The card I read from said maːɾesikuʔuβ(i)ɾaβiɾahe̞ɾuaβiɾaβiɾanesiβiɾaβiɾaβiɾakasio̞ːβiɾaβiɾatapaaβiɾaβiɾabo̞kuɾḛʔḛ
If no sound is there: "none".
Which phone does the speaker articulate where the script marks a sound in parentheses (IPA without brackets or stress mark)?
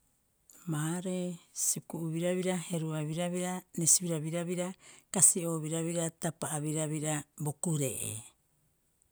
i